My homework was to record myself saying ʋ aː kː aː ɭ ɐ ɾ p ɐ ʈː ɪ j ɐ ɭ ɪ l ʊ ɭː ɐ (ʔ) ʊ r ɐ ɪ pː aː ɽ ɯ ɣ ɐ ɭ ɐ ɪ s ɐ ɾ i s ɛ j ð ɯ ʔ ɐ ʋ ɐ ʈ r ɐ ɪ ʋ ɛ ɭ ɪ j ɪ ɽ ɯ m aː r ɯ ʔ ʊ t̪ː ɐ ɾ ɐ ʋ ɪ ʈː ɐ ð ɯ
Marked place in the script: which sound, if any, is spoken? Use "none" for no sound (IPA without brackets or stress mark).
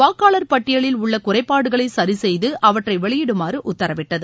k